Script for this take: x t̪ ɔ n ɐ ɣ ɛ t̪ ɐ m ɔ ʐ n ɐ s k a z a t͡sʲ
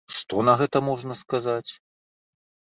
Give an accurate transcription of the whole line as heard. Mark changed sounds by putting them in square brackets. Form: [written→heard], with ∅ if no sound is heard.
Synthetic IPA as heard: [x→ʂ] t̪ ɔ n ɐ ɣ ɛ t̪ ɐ m ɔ ʐ n ɐ s k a z a t͡sʲ